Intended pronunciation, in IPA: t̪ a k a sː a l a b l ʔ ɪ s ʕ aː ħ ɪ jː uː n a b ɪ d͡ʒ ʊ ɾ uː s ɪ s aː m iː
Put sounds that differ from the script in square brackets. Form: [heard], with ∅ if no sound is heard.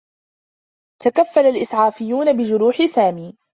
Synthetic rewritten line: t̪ a k a [fː] a l a [∅] l ʔ ɪ s ʕ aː [f] ɪ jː uː n a b ɪ d͡ʒ ʊ ɾ uː [ħ] ɪ s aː m iː